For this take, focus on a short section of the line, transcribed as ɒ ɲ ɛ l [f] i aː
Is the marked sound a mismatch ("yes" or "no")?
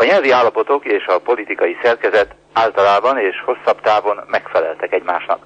yes